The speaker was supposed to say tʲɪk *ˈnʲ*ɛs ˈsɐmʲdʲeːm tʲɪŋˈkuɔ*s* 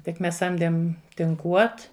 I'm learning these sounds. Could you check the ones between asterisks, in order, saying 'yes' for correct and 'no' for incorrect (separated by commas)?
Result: no, no